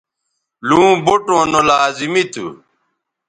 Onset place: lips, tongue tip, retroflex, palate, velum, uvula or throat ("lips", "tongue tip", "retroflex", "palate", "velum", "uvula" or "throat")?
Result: tongue tip